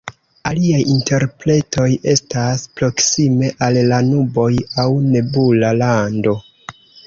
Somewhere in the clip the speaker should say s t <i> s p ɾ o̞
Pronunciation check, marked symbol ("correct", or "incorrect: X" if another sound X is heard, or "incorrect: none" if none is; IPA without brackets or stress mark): incorrect: a